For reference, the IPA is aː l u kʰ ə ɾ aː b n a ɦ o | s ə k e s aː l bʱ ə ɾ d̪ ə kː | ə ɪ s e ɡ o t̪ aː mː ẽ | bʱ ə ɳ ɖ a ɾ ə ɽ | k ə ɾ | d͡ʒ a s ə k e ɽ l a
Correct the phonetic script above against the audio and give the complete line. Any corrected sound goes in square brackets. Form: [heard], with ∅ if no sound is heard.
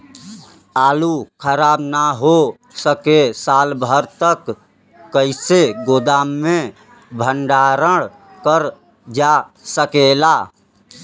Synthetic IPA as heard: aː l u kʰ ə ɾ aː b n a ɦ o | s ə k e s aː l bʱ ə ɾ [t̪] ə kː | ə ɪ s e ɡ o [d̪] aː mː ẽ | bʱ ə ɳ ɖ a ɾ ə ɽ | k ə ɾ | d͡ʒ a s ə k e [∅] l a

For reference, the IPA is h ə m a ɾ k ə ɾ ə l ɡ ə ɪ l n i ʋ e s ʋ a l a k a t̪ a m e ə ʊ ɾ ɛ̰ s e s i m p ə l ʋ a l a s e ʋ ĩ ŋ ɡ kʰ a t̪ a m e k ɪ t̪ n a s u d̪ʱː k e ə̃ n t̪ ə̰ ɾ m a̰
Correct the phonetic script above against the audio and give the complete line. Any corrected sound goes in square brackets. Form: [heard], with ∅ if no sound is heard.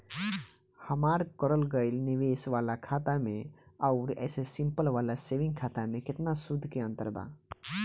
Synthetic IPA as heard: h ə m a ɾ k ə ɾ ə l ɡ ə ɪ l n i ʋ e s ʋ a l a [kʰ] a t̪ a m e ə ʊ ɾ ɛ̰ s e s i m p ə l ʋ a l a s e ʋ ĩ ŋ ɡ kʰ a t̪ a m e k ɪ t̪ n a s u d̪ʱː k e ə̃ n t̪ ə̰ ɾ [b] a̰

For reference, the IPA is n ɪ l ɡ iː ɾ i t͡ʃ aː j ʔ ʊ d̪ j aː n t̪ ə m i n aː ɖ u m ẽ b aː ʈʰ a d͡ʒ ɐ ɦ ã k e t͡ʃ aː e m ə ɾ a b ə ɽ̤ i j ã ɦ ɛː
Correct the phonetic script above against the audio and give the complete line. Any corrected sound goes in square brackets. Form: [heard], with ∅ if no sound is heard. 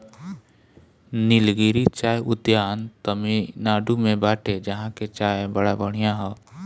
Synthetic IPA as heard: n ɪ l ɡ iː ɾ i t͡ʃ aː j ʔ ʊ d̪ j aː n t̪ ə m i n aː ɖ u m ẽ b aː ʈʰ [e] d͡ʒ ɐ ɦ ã k e t͡ʃ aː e [b] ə [ɽ] a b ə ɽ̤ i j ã ɦ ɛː

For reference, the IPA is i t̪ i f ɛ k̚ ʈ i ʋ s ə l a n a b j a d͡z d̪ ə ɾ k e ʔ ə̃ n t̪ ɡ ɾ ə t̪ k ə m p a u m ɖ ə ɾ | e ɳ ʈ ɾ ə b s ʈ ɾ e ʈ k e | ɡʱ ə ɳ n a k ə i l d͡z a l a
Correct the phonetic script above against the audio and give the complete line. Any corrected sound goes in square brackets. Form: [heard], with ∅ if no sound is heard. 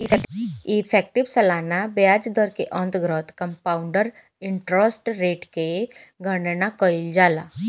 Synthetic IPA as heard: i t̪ i f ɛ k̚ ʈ i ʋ s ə l a n a b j a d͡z d̪ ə ɾ k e ʔ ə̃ n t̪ ɡ ɾ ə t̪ k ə m p a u [ɳ] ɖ ə ɾ | [i] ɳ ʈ ɾ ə [∅] s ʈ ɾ e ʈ k e | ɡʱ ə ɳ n a k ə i l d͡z a l a

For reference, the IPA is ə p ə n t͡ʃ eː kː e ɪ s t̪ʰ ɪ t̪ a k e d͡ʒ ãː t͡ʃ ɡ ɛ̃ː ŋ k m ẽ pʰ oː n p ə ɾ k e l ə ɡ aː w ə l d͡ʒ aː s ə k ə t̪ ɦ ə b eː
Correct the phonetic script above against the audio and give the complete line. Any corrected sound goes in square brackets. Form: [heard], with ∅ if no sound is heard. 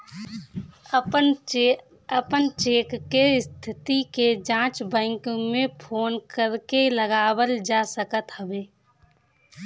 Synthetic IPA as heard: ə p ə n t͡ʃ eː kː e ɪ s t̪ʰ ɪ t̪ [i] k e d͡ʒ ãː t͡ʃ [b] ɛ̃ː ŋ k m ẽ pʰ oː n [k] ə ɾ k e l ə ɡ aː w ə l d͡ʒ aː s ə k ə t̪ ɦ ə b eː

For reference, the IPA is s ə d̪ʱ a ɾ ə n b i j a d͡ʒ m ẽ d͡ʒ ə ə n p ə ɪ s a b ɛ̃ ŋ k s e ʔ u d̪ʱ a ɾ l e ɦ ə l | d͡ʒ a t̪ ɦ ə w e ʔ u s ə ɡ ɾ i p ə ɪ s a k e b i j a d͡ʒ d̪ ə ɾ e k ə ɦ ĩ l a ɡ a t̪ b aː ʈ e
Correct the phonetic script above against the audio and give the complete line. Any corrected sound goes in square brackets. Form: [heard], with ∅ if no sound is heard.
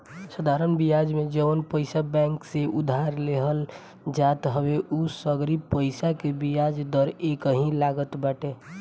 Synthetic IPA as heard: s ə d̪ʱ a ɾ ə n b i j a d͡ʒ m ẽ d͡ʒ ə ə n p ə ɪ s a b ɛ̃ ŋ k s e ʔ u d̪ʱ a ɾ l e ɦ ə l | d͡ʒ a t̪ ɦ ə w e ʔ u s ə ɡ ɾ i p ə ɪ s a k e b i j a d͡ʒ d̪ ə ɾ e k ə ɦ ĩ l a ɡ [ə] t̪ b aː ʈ e

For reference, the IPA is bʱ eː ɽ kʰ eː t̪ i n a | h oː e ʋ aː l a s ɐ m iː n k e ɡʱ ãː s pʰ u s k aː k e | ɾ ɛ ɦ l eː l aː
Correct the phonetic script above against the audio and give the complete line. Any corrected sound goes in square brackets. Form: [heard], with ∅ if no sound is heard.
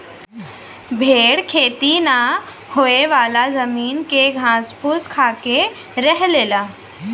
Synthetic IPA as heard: bʱ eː ɽ kʰ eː t̪ i n a | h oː e ʋ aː l a [z] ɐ m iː n k e ɡʱ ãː s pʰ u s [kʰ] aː k e | ɾ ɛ ɦ l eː l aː

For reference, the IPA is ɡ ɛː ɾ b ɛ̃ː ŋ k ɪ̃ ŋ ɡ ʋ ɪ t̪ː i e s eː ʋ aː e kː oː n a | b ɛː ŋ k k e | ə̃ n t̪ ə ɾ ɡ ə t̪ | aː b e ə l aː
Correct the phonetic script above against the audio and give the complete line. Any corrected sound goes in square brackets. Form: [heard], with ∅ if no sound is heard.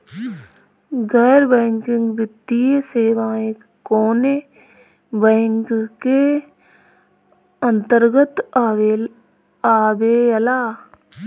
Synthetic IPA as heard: ɡ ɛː ɾ b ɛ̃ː ŋ k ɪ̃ ŋ ɡ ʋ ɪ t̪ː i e s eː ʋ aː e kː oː n [e] | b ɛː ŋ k k e | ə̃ n t̪ ə ɾ ɡ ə t̪ | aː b e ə l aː

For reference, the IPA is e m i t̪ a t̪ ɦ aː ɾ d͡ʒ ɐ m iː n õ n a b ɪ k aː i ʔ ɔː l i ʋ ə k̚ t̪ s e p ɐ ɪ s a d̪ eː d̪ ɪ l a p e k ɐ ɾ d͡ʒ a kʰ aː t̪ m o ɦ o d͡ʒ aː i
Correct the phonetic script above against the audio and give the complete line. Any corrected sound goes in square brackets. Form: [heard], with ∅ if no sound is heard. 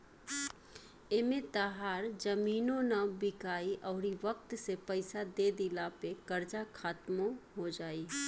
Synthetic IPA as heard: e m [e] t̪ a [∅] ɦ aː ɾ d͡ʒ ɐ m iː n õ n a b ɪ k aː i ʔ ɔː [ɾ] i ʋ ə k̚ t̪ s e p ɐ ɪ s a d̪ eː d̪ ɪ l a p e k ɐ ɾ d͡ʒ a kʰ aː t̪ m o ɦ o d͡ʒ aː i

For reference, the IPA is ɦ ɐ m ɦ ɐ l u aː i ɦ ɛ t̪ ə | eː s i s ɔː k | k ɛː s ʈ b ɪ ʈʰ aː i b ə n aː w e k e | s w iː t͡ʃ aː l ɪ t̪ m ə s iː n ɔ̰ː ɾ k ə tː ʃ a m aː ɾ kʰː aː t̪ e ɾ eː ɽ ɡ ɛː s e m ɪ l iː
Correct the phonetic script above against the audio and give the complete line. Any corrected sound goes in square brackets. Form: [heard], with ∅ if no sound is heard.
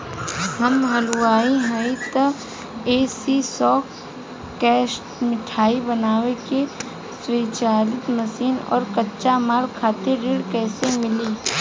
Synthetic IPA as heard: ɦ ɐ m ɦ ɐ l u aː i ɦ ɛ t̪ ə | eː s i s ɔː k | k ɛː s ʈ [m] ɪ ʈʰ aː i b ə n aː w e k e | s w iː t͡ʃ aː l ɪ t̪ m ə s iː n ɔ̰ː ɾ k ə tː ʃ a m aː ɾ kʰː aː t̪ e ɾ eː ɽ [k] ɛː s e m ɪ l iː

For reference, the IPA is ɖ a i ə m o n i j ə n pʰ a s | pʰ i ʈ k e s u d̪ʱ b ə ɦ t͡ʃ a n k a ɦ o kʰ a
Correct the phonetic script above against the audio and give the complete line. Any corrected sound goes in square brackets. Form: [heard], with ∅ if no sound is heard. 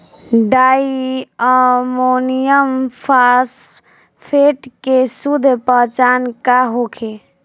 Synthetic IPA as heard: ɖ a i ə m o n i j ə [m] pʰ a s | pʰ [e] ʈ k e s u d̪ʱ [p] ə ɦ t͡ʃ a n k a ɦ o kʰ [e]

